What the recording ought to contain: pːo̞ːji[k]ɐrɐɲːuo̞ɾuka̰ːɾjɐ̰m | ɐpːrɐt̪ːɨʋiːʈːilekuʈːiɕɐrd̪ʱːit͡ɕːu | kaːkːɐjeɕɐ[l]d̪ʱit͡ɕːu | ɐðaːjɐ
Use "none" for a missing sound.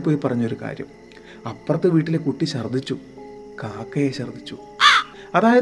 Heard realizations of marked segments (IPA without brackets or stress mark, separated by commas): p, r